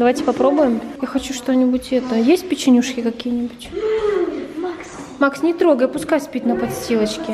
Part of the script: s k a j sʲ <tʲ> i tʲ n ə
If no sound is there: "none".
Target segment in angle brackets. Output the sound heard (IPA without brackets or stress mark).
pʲ